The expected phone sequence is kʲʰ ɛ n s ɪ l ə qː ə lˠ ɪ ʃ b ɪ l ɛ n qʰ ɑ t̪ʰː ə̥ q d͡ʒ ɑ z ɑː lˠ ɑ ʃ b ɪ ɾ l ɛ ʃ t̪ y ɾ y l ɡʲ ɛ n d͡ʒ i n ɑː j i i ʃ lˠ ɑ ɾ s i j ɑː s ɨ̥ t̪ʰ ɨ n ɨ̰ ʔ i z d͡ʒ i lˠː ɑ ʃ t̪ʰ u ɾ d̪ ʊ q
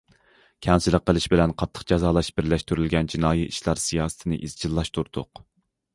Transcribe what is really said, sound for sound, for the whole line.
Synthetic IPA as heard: kʲʰ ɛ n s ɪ l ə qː ə lˠ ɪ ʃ b ɪ l ɛ n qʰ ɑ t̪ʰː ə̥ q d͡ʒ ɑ z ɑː lˠ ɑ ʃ b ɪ ɾ l ɛ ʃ t̪ y ɾ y l ɡʲ ɛ n d͡ʒ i n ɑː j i i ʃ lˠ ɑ ɾ s i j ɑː s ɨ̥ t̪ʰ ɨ n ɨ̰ ʔ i z d͡ʒ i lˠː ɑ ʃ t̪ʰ u ɾ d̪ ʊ q